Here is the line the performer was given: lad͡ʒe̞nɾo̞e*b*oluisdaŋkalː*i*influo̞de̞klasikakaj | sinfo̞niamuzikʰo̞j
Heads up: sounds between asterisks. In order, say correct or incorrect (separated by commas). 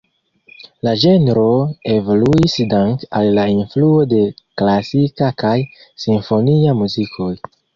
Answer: incorrect, incorrect